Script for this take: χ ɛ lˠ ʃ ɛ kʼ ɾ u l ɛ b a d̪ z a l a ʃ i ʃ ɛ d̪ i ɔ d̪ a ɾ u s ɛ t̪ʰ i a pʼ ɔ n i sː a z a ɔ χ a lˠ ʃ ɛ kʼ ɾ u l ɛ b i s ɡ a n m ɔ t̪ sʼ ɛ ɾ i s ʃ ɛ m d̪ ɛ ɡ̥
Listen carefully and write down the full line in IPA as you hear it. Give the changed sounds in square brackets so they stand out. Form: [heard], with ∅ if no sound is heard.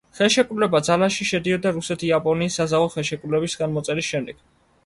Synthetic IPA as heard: χ ɛ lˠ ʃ ɛ kʼ ɾ u l ɛ b a d̪ z a l a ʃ i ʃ ɛ d̪ i ɔ d̪ a ɾ u s ɛ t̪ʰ i a pʼ ɔ n [iː] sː a z a ɔ χ [ɛ] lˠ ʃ ɛ kʼ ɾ u l ɛ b i s ɡ a n m ɔ t̪ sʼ ɛ ɾ i s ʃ ɛ m d̪ ɛ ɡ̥